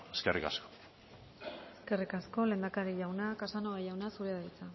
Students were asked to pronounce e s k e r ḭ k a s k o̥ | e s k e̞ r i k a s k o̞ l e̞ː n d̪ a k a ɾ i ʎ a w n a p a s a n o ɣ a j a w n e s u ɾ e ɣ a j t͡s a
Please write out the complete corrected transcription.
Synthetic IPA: e s k e r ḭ k a s k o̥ | e s k e̞ r i k a s k o̞ l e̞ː n d̪ a k a ɾ i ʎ a w n a k a s a n o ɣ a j a w n a s u ɾ e ð a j t͡s a